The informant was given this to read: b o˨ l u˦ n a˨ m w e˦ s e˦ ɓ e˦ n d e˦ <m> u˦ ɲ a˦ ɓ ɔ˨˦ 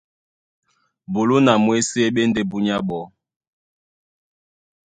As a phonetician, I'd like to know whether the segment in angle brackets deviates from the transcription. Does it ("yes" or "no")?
yes